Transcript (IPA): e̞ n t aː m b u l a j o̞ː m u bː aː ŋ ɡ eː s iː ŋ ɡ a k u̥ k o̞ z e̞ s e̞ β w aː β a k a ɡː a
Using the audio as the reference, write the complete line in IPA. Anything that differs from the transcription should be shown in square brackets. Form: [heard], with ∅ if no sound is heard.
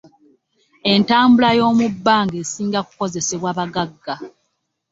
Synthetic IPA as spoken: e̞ n t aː m b u l a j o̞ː m u bː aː ŋ ɡ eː s iː ŋ ɡ a k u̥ k o̞ z e̞ s e̞ β w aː β a [ɡ] a ɡː a